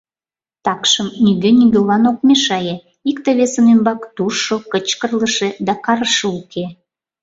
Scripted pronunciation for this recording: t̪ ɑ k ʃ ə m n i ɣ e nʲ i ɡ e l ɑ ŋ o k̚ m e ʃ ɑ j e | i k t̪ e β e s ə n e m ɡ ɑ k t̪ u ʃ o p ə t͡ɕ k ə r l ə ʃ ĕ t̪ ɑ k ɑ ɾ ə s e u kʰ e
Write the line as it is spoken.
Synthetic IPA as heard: t̪ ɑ k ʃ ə m n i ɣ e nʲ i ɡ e l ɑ n o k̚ m e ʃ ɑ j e | i k t̪ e β e s ə n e m b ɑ k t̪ u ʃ o k ə t͡ɕ k ə r l ə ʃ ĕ d̪ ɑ k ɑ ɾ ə ʃ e u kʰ e